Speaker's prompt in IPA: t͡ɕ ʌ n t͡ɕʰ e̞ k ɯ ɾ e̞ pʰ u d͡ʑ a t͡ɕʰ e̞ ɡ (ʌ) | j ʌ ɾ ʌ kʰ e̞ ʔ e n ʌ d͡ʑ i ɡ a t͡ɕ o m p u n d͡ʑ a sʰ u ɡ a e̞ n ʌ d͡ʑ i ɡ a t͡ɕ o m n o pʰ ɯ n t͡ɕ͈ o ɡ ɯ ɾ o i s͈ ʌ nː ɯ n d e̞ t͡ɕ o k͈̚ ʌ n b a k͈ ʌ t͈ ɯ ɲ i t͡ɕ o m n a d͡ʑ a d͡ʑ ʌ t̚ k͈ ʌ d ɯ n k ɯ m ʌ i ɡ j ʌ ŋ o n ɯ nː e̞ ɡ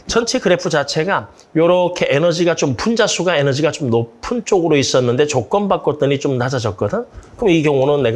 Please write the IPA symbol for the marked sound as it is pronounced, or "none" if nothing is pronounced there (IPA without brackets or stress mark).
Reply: a